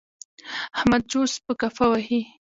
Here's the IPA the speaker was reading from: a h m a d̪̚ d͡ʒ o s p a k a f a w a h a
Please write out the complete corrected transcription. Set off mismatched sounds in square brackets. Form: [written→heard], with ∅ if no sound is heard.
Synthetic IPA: a h m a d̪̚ d͡ʒ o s p [a→ə] k a f a w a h [a→i]